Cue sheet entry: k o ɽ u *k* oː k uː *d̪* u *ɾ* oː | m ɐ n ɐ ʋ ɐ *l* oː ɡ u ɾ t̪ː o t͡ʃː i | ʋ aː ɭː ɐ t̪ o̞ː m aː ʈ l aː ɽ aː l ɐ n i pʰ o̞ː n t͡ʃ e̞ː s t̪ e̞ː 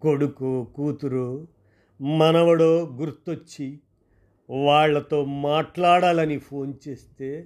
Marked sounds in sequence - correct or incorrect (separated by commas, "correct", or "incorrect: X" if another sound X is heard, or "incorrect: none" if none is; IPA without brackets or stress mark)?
correct, incorrect: t̪, correct, incorrect: ɽ